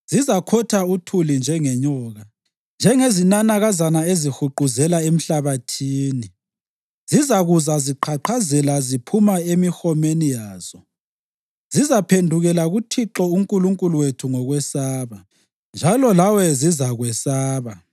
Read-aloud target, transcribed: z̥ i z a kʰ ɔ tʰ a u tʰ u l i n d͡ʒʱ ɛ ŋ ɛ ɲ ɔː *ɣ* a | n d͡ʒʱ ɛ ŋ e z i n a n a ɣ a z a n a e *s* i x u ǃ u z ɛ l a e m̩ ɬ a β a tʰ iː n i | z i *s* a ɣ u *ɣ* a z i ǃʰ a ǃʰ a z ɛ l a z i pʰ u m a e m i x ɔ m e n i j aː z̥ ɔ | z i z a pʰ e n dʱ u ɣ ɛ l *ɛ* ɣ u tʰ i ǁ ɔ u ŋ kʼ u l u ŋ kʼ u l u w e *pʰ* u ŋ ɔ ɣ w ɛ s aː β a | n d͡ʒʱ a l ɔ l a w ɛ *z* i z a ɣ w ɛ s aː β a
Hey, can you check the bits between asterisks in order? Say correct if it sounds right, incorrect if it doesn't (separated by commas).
correct, incorrect, incorrect, incorrect, incorrect, incorrect, correct